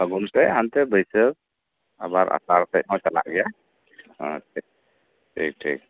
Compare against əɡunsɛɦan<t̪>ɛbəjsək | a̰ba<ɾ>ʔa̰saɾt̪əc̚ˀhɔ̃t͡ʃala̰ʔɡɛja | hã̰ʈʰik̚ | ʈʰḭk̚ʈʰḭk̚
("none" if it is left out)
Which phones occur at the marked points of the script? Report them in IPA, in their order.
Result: t̪, ɾ

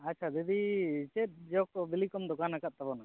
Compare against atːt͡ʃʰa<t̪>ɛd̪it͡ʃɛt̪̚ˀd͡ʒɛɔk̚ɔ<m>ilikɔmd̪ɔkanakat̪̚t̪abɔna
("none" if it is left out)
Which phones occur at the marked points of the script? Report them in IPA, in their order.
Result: d̪, b

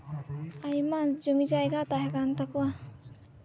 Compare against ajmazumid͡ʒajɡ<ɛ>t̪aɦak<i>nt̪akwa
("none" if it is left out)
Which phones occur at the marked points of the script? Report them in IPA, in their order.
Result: a, a

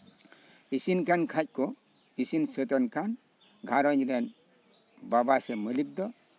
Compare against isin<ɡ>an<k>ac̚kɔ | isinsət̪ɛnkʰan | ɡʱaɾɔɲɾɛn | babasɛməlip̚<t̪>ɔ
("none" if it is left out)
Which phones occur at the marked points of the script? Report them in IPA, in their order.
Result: k, kʰ, d̪

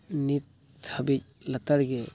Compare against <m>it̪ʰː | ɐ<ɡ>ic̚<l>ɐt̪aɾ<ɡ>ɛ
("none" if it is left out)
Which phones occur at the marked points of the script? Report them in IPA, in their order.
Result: n, b, l, ɡ

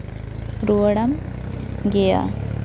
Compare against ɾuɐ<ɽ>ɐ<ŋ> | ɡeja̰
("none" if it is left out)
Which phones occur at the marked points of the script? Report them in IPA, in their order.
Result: ɽ, m

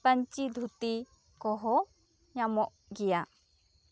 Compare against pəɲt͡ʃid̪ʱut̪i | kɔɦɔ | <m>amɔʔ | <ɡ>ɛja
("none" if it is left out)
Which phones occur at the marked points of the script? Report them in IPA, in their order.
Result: ɲ, ɡ

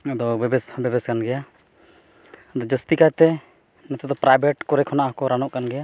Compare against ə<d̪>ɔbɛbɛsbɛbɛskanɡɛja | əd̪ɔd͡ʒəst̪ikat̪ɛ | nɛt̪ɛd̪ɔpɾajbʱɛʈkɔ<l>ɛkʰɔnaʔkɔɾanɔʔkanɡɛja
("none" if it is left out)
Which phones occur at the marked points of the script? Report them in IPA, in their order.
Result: d̪, ɾ

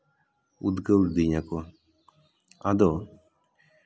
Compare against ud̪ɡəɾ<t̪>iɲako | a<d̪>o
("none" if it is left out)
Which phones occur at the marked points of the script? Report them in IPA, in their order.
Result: d̪, d̪

